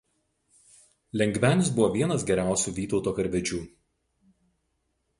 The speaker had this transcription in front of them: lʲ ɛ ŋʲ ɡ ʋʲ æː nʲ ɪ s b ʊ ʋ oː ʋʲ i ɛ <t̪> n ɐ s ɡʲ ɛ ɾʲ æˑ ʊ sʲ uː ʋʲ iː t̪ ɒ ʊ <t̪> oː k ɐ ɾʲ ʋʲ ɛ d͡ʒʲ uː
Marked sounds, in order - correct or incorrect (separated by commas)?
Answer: incorrect, correct